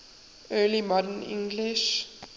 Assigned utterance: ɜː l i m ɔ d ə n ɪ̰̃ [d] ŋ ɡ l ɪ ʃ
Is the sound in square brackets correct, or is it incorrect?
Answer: incorrect